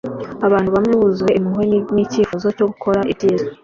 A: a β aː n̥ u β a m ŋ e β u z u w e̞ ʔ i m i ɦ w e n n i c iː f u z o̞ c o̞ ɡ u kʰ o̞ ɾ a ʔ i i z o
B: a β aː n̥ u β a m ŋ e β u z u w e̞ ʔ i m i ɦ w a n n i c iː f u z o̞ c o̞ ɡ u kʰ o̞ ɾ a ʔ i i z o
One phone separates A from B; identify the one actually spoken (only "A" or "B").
A